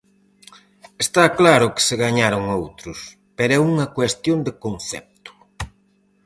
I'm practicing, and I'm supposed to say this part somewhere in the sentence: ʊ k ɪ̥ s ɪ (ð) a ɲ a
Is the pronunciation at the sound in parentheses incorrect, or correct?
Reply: incorrect